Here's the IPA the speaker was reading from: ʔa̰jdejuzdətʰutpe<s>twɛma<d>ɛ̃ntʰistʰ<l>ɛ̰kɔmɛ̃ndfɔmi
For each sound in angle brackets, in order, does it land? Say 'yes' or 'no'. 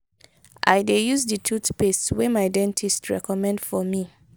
yes, yes, no

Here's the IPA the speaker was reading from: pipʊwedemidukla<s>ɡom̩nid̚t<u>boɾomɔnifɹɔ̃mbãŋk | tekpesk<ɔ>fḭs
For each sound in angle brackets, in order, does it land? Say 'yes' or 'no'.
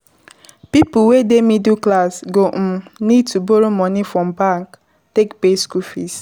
yes, yes, no

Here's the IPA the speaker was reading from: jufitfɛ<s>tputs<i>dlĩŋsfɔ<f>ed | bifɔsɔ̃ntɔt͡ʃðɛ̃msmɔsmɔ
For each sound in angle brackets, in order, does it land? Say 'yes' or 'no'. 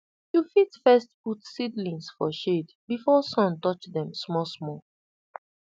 yes, yes, no

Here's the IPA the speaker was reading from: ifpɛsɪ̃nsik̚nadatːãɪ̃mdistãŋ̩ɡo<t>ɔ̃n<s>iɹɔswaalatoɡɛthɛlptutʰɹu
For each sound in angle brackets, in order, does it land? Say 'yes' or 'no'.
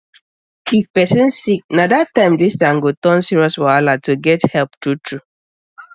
yes, yes

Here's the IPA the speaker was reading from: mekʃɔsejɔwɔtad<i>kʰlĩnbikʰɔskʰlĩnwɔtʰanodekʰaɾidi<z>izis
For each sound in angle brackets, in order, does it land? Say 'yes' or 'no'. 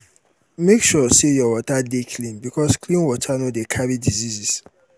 no, yes

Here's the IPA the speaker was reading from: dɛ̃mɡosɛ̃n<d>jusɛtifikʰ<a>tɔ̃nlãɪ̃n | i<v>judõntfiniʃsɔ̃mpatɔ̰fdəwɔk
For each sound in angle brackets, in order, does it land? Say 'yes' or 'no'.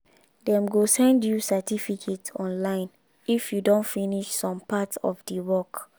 yes, no, no

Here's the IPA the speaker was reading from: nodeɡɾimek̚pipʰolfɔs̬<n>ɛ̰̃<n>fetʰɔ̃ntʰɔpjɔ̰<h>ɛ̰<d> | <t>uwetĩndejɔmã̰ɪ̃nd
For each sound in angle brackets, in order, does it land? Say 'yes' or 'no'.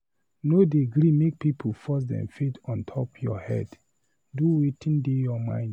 no, no, yes, yes, no

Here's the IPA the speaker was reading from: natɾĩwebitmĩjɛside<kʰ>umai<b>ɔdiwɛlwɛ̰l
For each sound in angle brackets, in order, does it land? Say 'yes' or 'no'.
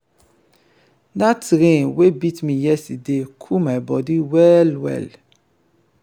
yes, yes

